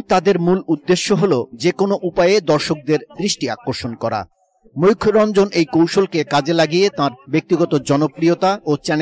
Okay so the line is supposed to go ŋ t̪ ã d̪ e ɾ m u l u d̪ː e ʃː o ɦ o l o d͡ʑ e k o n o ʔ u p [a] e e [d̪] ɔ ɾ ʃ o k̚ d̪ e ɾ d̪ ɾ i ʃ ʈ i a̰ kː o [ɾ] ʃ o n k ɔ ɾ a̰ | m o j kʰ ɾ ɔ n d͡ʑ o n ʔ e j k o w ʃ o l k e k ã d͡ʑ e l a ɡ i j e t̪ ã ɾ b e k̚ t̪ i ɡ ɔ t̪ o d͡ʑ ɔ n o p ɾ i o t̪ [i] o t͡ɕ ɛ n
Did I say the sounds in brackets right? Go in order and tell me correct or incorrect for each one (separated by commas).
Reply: correct, correct, correct, incorrect